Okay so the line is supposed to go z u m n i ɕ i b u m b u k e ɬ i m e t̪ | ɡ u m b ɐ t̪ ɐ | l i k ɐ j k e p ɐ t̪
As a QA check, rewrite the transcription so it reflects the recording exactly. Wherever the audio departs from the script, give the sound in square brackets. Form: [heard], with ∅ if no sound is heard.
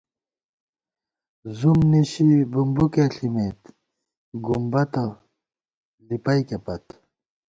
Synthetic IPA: z u m n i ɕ i b u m b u k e ɬ i m e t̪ | ɡ u m b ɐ t̪ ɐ | l i [p] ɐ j k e p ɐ t̪